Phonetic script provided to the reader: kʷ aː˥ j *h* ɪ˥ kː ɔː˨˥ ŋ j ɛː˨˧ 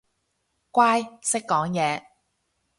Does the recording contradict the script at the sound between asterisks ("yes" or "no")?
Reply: yes